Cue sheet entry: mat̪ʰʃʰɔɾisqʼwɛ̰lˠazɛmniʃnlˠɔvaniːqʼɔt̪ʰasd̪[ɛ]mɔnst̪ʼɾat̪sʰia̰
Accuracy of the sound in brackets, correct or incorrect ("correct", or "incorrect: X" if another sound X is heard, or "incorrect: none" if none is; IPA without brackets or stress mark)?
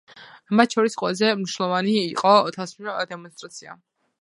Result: correct